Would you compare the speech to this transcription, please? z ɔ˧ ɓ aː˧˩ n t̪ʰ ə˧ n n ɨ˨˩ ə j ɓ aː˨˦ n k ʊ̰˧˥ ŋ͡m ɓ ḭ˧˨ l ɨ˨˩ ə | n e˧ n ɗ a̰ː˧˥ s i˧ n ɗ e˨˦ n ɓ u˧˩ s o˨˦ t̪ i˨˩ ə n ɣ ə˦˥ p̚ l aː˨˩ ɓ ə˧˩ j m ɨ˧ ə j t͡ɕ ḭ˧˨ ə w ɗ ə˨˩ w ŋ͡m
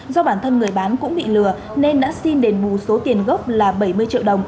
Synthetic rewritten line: z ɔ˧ ɓ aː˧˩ n t̪ʰ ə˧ n ŋ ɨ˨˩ ə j ɓ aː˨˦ n k ʊ̰˧˥ ŋ͡m ɓ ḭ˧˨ l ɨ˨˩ ə | n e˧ n ɗ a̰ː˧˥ s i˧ n ɗ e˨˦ n ɓ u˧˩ s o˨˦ t̪ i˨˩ ə n ɣ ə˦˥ p̚ l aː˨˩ ɓ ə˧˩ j m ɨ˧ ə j t͡ɕ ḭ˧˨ ə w ɗ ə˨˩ w ŋ͡m